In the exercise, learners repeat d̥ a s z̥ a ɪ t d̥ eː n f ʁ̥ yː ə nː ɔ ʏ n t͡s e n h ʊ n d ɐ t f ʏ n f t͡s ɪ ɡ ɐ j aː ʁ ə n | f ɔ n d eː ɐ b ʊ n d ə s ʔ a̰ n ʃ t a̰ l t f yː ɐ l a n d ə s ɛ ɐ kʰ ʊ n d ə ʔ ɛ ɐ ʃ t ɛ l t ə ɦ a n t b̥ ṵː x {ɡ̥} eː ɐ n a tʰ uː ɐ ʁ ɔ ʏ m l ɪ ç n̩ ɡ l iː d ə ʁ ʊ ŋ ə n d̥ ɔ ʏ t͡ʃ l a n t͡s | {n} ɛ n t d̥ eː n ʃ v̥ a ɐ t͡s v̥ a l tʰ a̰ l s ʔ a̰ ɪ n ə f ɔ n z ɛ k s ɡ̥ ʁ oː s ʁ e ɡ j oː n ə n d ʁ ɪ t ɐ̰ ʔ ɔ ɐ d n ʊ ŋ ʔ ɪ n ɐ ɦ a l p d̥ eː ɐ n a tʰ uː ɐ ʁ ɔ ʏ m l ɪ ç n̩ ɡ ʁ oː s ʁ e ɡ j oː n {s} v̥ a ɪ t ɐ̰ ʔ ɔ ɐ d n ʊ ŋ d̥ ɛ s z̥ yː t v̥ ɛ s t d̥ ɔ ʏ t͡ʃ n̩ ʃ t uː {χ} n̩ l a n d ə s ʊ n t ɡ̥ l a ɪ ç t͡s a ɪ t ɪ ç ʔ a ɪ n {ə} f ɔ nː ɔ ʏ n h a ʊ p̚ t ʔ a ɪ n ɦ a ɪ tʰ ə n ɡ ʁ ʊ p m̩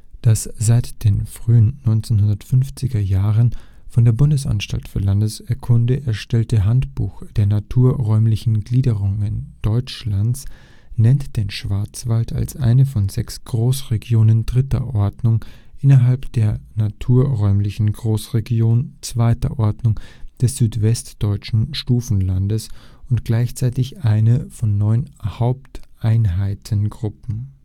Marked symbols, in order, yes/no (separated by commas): no, yes, no, no, yes